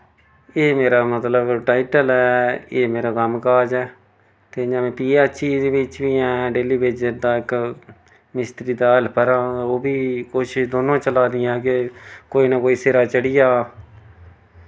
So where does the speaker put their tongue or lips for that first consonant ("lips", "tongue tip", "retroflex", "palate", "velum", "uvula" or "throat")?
lips